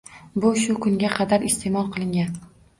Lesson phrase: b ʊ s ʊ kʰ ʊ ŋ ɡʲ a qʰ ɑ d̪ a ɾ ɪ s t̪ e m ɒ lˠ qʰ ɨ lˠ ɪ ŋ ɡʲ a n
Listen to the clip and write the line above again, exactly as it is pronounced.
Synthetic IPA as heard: b ʊ ʃ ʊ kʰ ʊ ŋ ɡʲ a qʰ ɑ d̪ a ɾ ɪ s t̪ e m ɒ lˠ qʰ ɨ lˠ ɪ ŋ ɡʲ a n